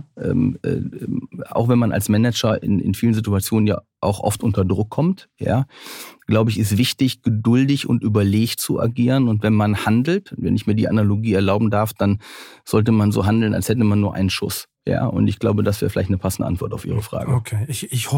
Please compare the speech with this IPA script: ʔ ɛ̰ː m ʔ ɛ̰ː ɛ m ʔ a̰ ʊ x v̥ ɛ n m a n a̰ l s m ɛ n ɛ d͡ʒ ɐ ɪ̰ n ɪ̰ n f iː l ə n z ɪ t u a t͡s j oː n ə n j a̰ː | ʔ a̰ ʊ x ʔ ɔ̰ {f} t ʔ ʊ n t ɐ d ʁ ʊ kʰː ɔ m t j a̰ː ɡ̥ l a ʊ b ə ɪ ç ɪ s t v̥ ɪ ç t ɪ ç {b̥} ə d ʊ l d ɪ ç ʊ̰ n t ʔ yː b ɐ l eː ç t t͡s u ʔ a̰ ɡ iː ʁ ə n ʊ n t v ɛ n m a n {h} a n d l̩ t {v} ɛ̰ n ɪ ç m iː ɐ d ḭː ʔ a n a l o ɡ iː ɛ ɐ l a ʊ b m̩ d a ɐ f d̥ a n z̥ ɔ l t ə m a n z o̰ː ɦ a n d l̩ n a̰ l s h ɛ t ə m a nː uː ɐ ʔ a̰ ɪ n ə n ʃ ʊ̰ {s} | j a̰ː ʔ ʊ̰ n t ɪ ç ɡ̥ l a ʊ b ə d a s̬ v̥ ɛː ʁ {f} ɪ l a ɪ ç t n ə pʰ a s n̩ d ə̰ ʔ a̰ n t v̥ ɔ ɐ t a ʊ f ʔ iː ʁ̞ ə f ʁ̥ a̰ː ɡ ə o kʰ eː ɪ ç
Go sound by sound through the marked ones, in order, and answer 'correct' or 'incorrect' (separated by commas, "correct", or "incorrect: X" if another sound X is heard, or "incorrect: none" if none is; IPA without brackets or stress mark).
correct, incorrect: ɡ̥, correct, correct, correct, correct